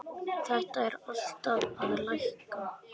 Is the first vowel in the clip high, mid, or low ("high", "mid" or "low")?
mid